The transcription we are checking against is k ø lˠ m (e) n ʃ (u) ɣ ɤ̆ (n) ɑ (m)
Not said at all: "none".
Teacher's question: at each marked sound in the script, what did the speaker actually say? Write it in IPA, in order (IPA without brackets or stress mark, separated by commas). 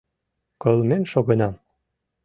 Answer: e, o, n, m